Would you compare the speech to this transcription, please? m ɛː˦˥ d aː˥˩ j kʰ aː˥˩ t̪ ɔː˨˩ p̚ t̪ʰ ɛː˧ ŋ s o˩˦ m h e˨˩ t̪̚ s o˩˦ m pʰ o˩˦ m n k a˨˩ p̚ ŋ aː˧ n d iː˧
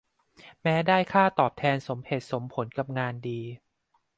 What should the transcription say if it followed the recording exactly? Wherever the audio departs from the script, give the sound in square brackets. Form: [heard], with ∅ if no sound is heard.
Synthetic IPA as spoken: m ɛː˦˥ d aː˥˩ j kʰ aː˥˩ t̪ ɔː˨˩ p̚ t̪ʰ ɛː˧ [n] s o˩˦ m h e˨˩ t̪̚ s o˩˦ m pʰ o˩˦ [∅] n k a˨˩ p̚ ŋ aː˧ n d iː˧